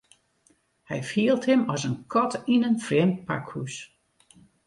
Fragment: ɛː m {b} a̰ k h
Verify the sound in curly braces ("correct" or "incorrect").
incorrect